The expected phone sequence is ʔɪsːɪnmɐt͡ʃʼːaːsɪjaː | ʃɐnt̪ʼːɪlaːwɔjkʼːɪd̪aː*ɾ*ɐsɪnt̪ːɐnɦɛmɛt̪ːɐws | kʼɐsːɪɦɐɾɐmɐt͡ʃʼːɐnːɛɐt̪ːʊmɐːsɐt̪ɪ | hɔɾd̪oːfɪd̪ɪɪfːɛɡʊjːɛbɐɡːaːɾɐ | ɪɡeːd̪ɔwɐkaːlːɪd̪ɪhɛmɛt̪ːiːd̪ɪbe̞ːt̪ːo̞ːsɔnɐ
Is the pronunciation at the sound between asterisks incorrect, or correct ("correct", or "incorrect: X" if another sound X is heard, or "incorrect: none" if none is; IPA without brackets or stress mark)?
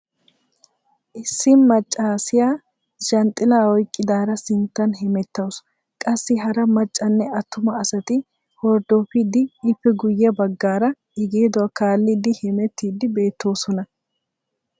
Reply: correct